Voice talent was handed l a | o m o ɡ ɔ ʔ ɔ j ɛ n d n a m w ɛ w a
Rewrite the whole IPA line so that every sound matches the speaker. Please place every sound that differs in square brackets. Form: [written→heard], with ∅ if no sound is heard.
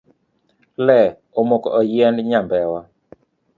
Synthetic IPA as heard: l [a→ɛ] | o m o [ɡ→k] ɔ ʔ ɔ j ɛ n d [n→ɲ] a m [w→b] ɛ w a